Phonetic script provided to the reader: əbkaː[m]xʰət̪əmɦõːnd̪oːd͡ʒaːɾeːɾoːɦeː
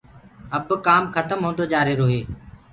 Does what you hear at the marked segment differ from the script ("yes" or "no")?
no